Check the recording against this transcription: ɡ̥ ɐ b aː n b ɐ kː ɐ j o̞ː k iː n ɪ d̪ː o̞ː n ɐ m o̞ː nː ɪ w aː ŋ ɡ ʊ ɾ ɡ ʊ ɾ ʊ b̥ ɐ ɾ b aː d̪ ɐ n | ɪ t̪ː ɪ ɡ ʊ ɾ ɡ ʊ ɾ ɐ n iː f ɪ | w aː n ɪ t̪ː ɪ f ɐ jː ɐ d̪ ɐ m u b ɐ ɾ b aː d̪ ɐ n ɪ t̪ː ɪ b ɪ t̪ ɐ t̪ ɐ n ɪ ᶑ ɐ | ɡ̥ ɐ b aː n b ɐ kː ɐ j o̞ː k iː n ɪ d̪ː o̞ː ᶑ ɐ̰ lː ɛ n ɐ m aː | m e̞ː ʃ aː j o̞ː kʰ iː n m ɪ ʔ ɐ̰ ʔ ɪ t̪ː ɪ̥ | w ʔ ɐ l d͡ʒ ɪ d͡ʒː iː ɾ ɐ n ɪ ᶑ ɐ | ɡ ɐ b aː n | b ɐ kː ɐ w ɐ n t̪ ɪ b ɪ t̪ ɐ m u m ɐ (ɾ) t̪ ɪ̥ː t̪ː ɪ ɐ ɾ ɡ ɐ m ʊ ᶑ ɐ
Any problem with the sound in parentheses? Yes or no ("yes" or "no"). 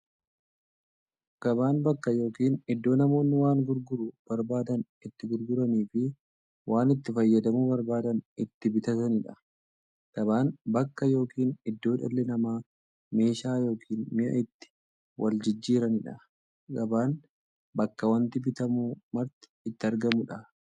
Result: no